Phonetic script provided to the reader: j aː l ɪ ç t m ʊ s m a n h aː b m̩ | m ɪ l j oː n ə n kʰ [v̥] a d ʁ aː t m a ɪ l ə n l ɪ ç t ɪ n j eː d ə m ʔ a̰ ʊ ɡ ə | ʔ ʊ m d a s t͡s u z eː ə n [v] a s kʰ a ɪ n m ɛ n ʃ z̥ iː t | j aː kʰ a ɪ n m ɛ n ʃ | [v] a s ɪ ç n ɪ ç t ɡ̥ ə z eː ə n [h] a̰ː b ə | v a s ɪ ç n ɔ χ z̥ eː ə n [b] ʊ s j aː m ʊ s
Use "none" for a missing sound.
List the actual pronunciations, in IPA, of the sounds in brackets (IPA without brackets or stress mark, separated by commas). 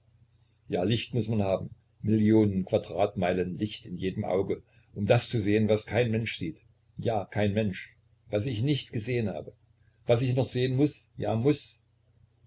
v̥, v, v, h, m